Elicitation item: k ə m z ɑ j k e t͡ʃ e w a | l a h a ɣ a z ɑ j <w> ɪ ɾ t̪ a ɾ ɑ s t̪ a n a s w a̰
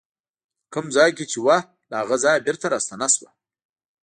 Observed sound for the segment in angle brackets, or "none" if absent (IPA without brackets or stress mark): b